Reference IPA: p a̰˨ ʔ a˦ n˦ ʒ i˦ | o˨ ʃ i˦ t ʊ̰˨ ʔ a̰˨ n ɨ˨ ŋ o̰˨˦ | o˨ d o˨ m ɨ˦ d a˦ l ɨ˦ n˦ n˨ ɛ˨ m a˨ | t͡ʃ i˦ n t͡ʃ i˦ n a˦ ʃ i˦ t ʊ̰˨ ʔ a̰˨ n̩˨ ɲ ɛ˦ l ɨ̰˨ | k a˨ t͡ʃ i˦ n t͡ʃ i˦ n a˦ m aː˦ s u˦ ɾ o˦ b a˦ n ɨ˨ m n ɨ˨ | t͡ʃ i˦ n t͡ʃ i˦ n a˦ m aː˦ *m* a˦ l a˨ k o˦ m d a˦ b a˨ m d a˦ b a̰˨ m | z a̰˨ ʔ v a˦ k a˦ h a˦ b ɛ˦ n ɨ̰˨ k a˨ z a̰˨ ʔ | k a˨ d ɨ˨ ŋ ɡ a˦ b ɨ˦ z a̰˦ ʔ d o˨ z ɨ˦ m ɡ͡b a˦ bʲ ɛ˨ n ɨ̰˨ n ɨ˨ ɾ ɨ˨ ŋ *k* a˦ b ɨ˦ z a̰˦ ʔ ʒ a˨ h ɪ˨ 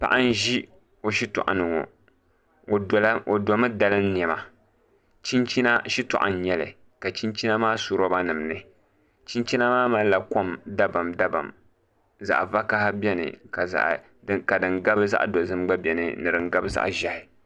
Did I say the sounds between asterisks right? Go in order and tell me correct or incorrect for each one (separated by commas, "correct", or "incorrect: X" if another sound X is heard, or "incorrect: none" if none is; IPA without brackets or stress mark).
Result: correct, incorrect: ɡ